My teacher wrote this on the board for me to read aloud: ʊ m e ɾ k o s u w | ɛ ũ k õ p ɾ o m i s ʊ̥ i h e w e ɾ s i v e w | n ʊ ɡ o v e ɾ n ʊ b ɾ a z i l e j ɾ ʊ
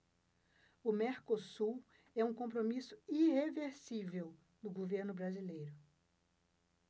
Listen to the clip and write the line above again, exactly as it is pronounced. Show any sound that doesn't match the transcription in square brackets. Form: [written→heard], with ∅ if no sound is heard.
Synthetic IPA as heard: ʊ m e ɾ k o s u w | ɛ ũ k õ p ɾ o m i s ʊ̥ i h e [w→v] e ɾ s i v e w | n ʊ ɡ o v e ɾ n ʊ b ɾ a z i l e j ɾ ʊ